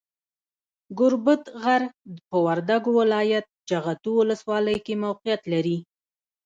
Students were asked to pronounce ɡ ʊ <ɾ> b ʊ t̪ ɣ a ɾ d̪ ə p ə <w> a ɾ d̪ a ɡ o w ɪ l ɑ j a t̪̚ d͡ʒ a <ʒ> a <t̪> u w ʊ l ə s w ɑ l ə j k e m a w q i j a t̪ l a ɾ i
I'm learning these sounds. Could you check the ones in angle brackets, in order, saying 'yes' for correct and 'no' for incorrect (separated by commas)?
yes, yes, no, yes